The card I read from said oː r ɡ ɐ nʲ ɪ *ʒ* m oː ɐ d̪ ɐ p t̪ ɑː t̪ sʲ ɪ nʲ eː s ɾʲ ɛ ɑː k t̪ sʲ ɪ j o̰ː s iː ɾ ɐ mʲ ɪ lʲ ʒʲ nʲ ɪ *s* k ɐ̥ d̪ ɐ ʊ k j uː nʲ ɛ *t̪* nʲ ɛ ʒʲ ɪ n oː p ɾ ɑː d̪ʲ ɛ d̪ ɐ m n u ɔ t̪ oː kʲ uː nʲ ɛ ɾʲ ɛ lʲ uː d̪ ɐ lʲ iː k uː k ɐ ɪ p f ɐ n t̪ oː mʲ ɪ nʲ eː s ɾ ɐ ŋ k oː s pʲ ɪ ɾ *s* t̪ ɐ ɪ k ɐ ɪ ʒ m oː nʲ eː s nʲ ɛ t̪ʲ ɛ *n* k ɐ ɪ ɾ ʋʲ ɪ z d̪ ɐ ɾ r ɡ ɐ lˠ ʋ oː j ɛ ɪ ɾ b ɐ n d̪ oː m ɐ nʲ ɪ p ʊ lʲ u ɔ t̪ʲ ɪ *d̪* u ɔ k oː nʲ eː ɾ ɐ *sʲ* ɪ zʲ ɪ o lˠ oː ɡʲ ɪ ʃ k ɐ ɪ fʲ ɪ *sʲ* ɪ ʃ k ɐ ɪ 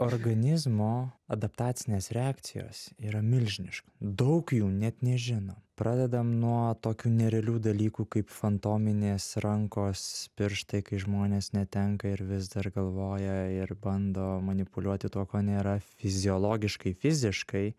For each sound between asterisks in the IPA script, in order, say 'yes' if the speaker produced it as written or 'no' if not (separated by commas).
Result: no, no, yes, no, no, no, no, no